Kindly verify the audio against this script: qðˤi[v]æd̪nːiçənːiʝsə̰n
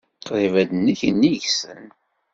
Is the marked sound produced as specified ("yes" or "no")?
yes